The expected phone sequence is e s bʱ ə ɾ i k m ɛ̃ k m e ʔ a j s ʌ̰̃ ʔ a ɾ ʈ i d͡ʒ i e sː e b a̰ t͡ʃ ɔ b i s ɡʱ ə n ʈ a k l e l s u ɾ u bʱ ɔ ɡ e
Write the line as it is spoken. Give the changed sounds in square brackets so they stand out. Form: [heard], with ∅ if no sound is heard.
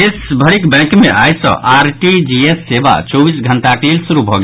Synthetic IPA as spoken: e s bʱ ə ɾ i k [b] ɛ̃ k m e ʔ a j s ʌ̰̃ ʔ a ɾ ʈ i d͡ʒ i e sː e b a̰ t͡ʃ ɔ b i s ɡʱ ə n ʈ a k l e l s u ɾ u bʱ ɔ ɡ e